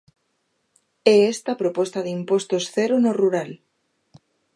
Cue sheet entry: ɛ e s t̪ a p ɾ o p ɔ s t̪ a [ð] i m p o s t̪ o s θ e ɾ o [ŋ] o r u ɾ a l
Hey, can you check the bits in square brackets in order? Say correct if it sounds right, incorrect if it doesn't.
correct, incorrect: n

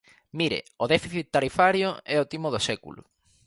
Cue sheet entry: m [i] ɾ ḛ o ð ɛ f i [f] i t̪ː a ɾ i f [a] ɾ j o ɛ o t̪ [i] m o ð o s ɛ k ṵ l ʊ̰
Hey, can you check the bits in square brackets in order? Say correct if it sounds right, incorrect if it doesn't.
correct, incorrect: θ, correct, correct

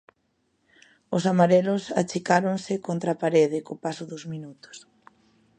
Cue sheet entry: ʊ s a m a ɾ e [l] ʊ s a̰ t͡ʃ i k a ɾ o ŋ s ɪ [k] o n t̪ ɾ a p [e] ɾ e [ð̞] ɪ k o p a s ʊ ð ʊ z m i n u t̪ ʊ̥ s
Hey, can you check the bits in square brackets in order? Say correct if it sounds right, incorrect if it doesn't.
correct, correct, incorrect: a, correct

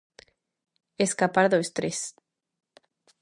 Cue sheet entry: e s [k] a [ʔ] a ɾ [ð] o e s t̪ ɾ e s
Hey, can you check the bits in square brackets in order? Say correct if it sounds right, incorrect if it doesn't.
correct, incorrect: p, correct

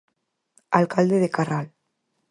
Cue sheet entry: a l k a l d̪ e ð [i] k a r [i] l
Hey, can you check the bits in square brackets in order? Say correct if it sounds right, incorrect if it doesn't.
incorrect: e, incorrect: a

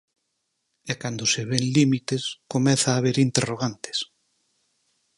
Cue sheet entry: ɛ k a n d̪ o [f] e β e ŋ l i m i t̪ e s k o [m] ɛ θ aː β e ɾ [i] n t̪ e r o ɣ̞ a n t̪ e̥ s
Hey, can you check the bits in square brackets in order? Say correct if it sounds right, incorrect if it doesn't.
incorrect: s, correct, correct

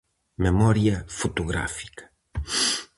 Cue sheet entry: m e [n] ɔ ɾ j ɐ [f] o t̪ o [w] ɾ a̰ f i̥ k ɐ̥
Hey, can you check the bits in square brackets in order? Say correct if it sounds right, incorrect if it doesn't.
incorrect: m, correct, incorrect: ɣ

